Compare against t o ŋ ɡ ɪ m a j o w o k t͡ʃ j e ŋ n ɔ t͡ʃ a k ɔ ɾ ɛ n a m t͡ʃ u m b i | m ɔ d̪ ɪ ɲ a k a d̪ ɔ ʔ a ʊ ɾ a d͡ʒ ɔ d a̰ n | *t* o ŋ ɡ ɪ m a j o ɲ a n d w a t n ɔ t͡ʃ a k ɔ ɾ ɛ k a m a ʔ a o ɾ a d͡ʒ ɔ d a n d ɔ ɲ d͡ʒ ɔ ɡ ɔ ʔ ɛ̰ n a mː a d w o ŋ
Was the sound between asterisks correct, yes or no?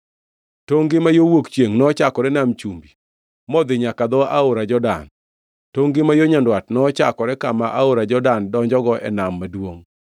yes